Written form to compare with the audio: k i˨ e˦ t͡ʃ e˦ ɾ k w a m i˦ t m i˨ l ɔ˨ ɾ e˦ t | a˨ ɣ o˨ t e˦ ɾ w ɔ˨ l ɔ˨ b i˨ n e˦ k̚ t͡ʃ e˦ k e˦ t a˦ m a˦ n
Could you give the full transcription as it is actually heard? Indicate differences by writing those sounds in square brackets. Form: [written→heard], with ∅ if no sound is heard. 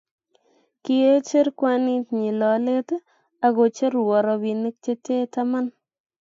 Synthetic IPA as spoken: k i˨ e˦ t͡ʃ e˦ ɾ k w a [m→n] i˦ t [m→ɲ] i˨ l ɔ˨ [ɾ→l] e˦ t | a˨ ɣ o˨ [t→t͡ʃ] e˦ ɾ w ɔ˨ [l→ɾ] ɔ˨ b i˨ n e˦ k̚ t͡ʃ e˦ [k→t] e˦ t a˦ m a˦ n